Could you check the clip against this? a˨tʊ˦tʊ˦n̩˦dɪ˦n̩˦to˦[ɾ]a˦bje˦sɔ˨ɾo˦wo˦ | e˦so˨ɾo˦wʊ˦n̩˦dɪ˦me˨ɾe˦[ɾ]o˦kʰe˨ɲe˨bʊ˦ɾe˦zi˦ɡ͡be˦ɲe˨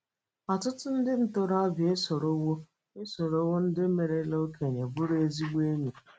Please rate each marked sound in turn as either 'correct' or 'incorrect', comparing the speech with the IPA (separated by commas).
correct, incorrect